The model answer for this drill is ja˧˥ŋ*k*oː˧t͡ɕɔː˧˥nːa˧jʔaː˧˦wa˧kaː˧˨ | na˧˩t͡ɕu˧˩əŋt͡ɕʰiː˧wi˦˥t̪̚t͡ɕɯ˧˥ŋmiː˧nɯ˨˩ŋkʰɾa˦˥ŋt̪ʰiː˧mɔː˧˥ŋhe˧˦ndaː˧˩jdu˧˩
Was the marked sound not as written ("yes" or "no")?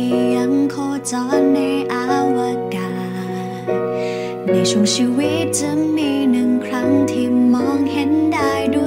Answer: yes